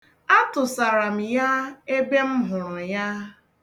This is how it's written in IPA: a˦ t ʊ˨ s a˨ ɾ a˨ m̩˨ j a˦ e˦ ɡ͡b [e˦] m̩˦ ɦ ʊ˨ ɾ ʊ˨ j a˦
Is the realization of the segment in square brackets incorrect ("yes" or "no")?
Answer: no